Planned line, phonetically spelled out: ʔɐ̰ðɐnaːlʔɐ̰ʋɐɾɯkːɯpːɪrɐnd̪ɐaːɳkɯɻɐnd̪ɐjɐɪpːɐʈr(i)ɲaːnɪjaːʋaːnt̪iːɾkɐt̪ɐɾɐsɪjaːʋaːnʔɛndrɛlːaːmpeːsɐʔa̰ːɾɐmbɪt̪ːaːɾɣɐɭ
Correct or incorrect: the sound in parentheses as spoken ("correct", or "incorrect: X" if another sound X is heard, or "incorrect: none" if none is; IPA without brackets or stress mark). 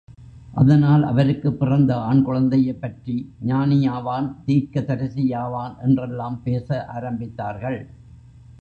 correct